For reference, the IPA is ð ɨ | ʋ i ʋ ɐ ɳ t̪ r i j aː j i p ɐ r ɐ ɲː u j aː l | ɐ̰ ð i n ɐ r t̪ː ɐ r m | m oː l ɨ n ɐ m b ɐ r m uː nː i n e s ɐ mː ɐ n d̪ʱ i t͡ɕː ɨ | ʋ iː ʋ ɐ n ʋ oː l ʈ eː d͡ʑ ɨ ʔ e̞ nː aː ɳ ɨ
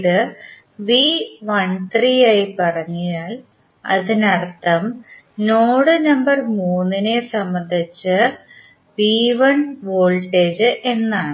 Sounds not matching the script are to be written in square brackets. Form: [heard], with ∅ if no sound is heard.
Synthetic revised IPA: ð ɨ | ʋ i ʋ ɐ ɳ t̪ r i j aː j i p ɐ r ɐ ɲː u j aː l | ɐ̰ ð i n ɐ r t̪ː ɐ [∅] m | [n] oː [ɽ] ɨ n ɐ m b ɐ r m uː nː i n e s ɐ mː ɐ n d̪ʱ i t͡ɕː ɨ | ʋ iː ʋ ɐ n ʋ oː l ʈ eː d͡ʑ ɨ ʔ e̞ nː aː ɳ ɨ